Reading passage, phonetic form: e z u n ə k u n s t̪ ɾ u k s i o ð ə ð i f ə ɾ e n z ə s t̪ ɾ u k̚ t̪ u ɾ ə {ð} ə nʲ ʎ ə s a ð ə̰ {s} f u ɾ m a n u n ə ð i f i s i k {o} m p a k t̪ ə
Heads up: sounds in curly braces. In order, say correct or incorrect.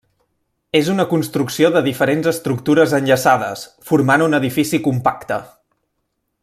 incorrect: z, correct, incorrect: u

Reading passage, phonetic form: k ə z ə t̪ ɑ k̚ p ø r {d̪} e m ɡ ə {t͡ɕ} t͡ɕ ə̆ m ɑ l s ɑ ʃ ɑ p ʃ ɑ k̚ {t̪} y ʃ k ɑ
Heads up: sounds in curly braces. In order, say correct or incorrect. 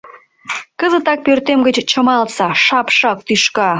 incorrect: t̪, correct, correct

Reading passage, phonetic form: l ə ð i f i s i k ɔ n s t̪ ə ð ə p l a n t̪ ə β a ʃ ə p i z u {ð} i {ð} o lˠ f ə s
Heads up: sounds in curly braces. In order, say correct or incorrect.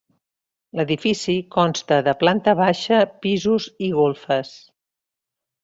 incorrect: z, incorrect: ɣ

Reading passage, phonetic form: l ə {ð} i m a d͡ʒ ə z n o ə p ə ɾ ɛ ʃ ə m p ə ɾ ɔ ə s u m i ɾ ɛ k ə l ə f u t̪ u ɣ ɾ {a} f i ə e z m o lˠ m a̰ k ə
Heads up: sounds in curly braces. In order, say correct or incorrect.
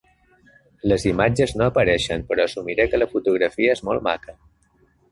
incorrect: z, incorrect: ə

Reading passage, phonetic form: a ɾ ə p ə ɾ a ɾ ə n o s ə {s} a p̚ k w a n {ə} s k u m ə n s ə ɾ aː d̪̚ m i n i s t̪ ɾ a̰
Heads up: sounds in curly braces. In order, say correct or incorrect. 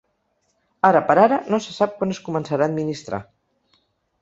correct, correct

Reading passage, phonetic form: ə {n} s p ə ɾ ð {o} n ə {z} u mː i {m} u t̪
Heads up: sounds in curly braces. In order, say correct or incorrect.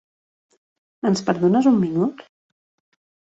correct, correct, correct, incorrect: n

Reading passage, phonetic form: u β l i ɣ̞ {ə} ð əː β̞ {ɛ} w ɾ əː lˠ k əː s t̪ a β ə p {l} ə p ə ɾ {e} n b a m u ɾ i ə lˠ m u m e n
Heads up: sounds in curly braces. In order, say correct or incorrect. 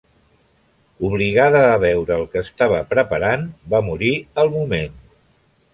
incorrect: a, correct, incorrect: ɾ, incorrect: a

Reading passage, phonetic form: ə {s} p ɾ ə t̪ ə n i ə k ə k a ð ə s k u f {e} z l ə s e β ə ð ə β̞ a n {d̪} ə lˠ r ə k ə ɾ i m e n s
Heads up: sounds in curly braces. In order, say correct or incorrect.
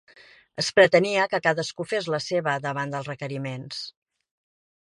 correct, correct, correct

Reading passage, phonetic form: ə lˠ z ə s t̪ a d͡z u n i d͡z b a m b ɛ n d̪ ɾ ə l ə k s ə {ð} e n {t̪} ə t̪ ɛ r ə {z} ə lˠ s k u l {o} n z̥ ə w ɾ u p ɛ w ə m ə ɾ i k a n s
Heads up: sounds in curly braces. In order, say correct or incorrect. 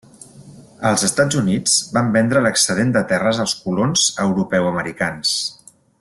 correct, incorrect: d̪, correct, correct

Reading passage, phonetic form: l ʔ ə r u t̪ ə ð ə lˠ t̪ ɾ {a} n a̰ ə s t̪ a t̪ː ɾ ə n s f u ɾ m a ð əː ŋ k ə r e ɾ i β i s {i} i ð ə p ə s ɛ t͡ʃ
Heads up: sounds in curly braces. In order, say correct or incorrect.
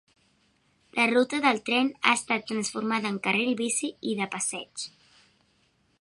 incorrect: ɛ, correct

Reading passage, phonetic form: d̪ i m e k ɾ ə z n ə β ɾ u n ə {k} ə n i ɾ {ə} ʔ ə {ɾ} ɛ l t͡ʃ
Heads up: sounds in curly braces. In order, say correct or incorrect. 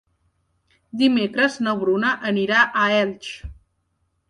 incorrect: ʔ, incorrect: a, incorrect: none

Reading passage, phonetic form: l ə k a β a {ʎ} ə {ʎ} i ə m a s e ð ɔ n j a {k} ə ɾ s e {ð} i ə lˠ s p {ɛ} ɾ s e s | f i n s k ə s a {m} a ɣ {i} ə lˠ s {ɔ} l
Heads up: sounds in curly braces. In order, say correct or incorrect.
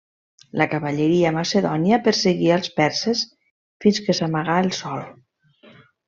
correct, incorrect: ɾ, incorrect: p, incorrect: ɣ, correct, correct, incorrect: a, correct

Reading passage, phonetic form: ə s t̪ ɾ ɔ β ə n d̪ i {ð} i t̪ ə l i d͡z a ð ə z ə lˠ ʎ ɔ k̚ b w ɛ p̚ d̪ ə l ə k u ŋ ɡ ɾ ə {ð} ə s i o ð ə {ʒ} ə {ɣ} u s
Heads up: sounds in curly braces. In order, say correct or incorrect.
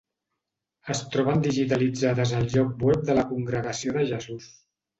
incorrect: ʒ, incorrect: ɣ, correct, incorrect: z

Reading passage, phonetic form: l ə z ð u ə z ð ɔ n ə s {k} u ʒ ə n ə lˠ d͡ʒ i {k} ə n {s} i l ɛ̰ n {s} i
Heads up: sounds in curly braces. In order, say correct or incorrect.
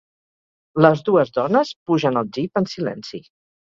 incorrect: p, incorrect: p, correct, correct

